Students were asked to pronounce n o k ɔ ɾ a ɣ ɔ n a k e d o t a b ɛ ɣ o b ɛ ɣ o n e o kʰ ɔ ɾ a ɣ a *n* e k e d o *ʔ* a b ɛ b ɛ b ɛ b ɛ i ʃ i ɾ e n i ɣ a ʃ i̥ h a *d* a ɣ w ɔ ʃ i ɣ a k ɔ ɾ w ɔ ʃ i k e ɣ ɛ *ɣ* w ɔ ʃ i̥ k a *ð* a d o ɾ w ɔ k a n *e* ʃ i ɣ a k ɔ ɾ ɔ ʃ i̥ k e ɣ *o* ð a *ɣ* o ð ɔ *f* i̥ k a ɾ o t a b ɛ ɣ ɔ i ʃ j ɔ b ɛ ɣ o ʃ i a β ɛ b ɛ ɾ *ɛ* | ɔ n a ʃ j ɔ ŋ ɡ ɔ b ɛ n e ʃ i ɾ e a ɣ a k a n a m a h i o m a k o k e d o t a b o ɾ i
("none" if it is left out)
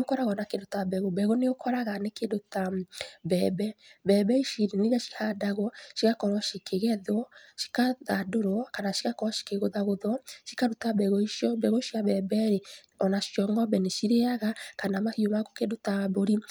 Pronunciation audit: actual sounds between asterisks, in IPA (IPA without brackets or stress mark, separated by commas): n, t, d, ð, ð, a, o, ɣ, ʃ, e